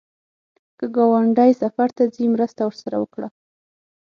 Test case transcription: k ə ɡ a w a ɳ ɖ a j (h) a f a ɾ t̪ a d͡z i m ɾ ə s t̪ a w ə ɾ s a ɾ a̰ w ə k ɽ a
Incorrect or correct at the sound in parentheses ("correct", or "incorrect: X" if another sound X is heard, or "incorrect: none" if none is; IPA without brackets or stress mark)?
incorrect: s